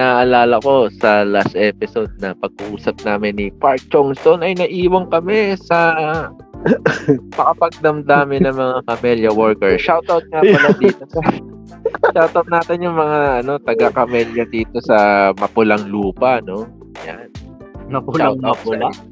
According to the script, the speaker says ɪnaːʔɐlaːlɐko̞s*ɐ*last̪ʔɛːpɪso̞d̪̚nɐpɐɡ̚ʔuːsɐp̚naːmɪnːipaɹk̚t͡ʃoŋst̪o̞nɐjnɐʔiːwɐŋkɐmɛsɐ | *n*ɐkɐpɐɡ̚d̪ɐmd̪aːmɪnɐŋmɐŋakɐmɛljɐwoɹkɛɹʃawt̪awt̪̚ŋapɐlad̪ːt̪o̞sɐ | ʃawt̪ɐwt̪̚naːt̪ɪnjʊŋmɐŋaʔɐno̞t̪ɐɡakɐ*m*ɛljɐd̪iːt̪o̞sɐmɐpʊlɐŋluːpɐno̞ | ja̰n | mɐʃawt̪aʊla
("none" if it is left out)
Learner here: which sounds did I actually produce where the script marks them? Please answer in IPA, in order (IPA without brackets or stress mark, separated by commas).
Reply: ɐ, m, m